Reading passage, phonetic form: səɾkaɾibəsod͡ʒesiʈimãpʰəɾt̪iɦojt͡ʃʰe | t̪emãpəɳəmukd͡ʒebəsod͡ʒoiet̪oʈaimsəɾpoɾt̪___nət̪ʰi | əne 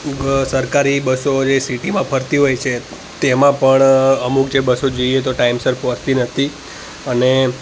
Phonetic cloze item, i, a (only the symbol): i